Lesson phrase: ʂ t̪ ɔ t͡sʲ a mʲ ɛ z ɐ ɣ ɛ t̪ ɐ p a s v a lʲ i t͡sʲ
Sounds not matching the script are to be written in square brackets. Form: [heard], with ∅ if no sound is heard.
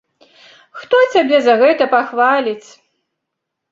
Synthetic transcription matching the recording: [x] t̪ ɔ t͡sʲ a [bʲ] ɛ z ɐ ɣ ɛ t̪ ɐ p a [x] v a lʲ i t͡sʲ